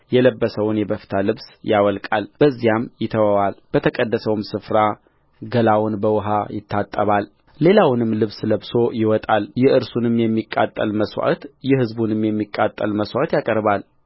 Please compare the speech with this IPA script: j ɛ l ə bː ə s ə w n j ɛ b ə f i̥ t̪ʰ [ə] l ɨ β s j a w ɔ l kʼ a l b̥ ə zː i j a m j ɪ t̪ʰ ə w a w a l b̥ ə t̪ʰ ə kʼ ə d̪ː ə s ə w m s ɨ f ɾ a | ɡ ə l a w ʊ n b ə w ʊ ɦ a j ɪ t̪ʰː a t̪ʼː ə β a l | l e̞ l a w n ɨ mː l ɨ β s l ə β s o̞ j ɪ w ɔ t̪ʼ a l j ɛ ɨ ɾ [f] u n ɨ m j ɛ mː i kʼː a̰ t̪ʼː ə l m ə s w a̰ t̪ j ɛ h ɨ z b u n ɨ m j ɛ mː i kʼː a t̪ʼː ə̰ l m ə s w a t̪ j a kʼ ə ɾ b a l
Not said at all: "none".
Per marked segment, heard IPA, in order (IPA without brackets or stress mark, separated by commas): a, s